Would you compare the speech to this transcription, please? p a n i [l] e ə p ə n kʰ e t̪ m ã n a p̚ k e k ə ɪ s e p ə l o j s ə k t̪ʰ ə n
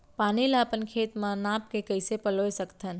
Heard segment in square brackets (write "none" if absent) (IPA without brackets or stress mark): l